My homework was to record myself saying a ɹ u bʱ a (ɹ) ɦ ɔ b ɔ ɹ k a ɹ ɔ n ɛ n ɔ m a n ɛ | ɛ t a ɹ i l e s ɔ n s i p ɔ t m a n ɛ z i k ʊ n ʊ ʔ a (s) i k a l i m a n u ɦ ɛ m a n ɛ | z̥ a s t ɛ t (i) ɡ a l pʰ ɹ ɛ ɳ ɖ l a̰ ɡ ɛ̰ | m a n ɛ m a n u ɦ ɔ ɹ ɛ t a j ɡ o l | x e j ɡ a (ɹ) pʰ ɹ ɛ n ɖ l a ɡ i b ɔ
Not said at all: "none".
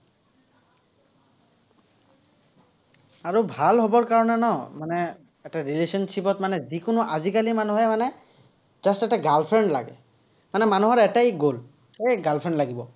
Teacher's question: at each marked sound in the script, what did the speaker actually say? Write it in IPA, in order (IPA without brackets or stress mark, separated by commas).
l, z, a, l